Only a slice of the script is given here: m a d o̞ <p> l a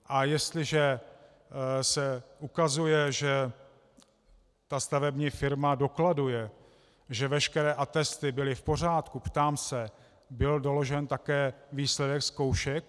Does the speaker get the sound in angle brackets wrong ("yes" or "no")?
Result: yes